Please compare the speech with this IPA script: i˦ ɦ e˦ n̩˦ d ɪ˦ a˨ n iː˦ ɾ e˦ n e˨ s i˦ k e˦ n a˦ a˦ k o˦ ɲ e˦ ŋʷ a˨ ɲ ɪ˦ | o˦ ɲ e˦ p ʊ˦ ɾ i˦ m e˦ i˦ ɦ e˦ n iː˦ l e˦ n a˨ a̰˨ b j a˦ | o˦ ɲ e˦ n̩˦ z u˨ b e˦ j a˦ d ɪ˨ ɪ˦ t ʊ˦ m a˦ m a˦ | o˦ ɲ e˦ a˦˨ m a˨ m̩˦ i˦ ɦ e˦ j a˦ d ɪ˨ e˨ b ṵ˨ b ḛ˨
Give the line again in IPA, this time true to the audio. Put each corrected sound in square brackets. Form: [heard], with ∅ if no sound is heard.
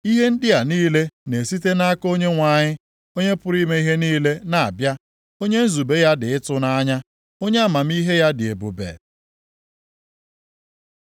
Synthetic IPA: i˦ ɦ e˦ n̩˦ d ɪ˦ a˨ n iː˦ [l] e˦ n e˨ s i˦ [t] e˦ n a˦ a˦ k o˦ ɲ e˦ ŋʷ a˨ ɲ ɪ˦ | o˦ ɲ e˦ p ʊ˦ ɾ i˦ m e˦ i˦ ɦ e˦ n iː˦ l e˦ n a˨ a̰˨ b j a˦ | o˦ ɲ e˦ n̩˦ z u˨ b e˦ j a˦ d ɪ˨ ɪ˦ t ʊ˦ [n] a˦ [ɲ] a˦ | o˦ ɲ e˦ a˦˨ m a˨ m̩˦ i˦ ɦ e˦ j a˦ d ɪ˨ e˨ b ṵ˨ b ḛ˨